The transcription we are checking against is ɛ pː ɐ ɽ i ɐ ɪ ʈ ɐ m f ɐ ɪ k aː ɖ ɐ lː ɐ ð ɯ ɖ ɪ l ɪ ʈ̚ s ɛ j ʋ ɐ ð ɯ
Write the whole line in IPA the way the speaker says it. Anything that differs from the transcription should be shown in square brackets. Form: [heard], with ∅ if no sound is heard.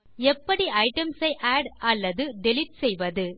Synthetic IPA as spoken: ɛ pː ɐ ɽ i ɐ ɪ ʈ ɐ m [s] ɐ ɪ [ʔ] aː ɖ ɐ lː ɐ ð ɯ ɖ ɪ l ɪ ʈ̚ s ɛ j ʋ ɐ ð ɯ